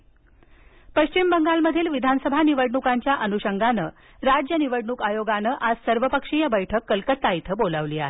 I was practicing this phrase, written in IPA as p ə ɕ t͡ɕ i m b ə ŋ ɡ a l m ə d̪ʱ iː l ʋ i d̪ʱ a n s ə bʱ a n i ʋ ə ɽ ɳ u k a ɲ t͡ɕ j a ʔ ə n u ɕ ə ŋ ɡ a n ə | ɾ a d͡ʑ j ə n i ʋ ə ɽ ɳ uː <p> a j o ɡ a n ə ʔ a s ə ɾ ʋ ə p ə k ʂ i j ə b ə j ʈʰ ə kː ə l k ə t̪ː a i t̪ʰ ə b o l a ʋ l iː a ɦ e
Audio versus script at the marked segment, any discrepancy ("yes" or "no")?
yes